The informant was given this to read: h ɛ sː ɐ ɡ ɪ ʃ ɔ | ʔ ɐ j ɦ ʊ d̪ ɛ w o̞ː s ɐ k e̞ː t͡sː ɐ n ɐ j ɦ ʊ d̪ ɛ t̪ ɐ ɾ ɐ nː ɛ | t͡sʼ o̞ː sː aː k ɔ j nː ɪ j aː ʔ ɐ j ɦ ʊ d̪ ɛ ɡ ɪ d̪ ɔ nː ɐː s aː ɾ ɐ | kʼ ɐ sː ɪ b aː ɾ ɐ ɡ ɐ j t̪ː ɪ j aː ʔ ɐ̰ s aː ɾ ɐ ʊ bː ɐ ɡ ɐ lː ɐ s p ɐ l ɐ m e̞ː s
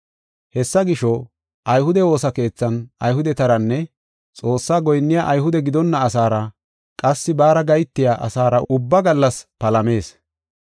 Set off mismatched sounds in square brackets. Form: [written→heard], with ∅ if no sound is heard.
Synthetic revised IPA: h ɛ sː ɐ ɡ ɪ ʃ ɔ | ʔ ɐ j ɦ ʊ d̪ ɛ w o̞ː s ɐ k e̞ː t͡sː ɐ n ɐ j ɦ ʊ d̪ ɛ t̪ ɐ ɾ ɐ nː ɛ | t͡sʼ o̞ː sː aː [k→ɡ] ɔ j nː ɪ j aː ʔ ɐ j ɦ ʊ d̪ ɛ ɡ ɪ d̪ ɔ nː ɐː s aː ɾ ɐ | kʼ ɐ sː ɪ b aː ɾ ɐ ɡ ɐ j t̪ː ɪ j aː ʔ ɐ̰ s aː ɾ ɐ ʊ bː ɐ ɡ ɐ lː ɐ s p ɐ l ɐ m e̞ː s